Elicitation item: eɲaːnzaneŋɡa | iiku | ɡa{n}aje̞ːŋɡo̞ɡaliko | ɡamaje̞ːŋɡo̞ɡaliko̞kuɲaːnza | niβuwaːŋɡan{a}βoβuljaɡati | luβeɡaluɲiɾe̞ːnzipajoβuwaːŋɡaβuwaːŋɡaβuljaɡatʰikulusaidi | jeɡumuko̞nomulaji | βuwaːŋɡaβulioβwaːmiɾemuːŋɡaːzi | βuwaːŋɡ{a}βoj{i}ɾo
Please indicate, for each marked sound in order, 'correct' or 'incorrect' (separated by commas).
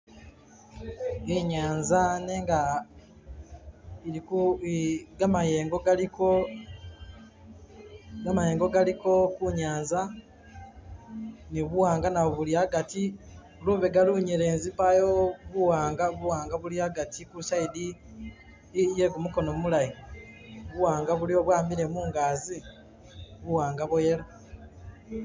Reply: incorrect, correct, correct, incorrect